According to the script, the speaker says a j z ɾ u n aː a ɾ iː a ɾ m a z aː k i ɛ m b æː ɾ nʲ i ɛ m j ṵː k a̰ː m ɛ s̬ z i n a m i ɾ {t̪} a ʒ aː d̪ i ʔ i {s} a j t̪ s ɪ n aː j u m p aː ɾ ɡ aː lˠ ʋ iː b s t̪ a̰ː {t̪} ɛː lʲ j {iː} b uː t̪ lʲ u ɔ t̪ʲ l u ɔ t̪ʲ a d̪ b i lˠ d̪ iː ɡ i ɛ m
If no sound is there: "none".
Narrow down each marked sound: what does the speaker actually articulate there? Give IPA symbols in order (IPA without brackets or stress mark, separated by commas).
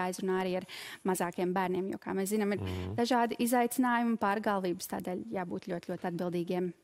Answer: d̪, z, d̪, aː